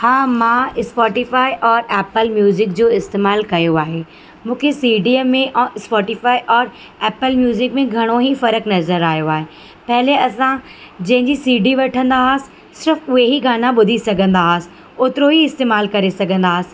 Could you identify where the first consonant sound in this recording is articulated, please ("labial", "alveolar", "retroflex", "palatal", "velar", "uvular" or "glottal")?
glottal